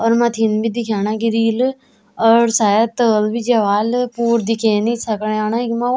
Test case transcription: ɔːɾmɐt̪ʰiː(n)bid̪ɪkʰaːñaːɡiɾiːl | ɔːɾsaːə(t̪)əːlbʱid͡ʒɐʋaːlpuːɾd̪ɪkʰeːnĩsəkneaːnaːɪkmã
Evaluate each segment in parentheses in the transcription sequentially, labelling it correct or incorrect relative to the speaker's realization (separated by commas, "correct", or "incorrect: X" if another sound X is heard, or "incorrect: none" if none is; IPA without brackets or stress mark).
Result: correct, correct